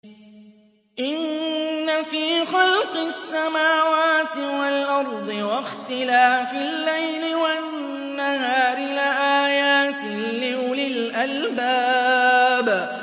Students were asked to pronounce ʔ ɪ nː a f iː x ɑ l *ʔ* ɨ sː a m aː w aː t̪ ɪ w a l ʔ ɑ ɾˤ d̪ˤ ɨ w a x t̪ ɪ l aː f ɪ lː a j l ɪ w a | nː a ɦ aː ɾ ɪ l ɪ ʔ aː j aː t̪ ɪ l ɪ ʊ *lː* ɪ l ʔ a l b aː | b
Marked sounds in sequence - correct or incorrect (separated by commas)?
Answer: incorrect, incorrect